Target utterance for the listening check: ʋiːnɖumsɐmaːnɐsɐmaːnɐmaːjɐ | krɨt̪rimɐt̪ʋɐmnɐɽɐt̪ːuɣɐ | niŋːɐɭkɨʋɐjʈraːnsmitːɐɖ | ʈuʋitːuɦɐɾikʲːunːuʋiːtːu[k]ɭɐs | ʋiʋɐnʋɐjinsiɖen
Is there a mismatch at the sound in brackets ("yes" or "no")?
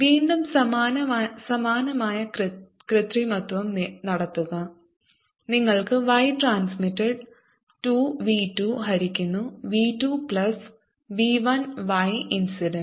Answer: yes